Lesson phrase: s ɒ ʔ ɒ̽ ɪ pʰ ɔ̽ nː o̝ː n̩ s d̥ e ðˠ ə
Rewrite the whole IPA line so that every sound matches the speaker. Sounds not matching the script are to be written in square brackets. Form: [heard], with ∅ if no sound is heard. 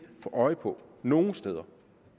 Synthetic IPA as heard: [f] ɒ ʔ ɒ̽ ɪ pʰ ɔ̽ [n] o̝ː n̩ s d̥ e ðˠ [ɐ]